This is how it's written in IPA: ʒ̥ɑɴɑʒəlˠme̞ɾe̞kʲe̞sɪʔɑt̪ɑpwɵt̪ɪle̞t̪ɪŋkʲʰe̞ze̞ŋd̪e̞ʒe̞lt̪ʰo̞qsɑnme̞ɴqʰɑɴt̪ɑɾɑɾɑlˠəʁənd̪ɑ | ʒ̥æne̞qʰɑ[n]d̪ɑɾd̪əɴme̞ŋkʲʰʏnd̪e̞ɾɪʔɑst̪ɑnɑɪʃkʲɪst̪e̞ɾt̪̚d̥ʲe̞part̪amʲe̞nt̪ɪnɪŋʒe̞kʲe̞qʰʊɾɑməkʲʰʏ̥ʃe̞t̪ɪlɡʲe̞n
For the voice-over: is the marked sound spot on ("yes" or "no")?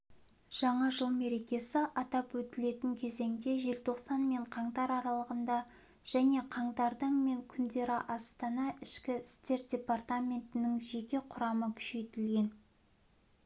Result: no